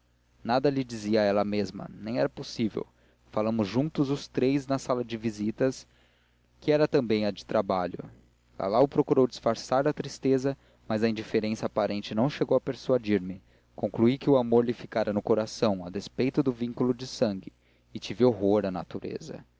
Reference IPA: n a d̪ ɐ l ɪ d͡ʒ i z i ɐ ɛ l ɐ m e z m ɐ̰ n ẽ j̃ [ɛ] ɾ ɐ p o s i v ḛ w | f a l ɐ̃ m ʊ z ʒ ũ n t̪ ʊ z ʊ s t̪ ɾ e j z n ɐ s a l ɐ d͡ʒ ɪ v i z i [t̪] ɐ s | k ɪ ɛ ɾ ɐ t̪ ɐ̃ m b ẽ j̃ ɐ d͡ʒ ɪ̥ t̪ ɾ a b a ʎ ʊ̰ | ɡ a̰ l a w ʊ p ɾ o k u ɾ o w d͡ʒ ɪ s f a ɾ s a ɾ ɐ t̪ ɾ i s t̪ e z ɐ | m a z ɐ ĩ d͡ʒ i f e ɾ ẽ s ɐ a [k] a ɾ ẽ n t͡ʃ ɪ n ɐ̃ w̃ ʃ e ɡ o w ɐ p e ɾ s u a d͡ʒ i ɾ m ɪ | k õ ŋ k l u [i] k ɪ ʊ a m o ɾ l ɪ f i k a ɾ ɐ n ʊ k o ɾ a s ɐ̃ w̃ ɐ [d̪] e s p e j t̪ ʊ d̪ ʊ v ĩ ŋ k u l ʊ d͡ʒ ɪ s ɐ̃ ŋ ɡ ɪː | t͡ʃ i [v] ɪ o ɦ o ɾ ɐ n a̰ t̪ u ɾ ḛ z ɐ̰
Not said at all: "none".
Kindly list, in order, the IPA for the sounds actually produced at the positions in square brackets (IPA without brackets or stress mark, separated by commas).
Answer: ɛ, t̪, p, i, d̪, v